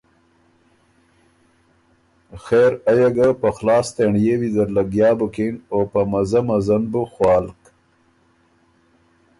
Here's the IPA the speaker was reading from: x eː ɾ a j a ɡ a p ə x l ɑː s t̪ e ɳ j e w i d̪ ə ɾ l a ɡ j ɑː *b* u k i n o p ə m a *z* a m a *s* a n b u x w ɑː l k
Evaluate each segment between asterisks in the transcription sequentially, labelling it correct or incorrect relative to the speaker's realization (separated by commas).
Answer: correct, correct, incorrect